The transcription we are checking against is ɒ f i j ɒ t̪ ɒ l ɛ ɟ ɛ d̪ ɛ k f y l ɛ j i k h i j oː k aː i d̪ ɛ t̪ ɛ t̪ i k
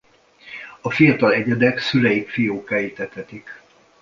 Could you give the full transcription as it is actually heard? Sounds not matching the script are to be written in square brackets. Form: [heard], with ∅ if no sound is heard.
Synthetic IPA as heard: ɒ f i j ɒ t̪ ɒ l ɛ ɟ ɛ d̪ ɛ k [s] y l ɛ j i k [f] i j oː k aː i [t̪] ɛ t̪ ɛ t̪ i k